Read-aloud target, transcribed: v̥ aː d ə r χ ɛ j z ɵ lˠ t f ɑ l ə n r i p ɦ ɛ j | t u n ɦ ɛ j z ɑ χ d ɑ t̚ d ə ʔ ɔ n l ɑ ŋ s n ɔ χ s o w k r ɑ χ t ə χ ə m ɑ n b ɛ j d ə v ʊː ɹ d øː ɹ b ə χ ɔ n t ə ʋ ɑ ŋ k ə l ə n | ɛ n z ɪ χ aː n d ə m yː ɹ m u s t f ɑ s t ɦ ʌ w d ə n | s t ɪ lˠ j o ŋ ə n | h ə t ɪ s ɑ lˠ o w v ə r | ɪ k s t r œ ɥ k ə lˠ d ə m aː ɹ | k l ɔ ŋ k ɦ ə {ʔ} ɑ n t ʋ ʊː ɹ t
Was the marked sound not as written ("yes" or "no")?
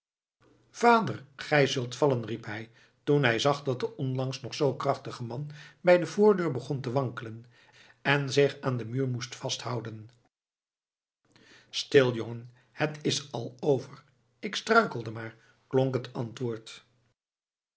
yes